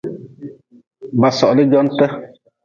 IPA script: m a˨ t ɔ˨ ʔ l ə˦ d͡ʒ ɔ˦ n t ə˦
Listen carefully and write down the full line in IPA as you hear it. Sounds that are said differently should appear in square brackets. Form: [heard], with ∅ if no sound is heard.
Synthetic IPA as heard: [b] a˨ [s] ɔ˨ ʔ l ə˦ d͡ʒ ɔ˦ n t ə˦